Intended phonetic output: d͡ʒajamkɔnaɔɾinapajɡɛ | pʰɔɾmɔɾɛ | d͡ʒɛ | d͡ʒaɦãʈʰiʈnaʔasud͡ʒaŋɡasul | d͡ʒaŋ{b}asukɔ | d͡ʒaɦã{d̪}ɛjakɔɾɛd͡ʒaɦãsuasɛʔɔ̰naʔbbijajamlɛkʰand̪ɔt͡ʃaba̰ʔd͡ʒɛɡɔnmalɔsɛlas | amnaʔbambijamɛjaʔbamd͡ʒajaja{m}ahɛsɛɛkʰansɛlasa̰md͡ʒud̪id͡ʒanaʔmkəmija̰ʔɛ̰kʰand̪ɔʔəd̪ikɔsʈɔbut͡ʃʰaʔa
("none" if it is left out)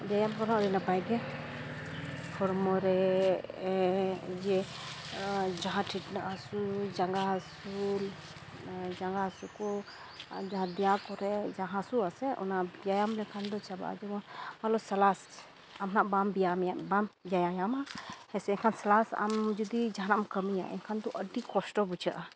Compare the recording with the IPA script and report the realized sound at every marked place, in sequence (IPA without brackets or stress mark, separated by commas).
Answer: ɡ, d̪, m